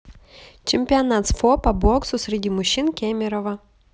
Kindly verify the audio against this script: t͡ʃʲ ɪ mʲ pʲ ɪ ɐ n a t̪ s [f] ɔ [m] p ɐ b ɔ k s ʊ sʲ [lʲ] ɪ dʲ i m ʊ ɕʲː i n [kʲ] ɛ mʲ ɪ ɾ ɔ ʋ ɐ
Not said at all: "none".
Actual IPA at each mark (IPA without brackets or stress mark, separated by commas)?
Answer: f, none, ɾʲ, kʲ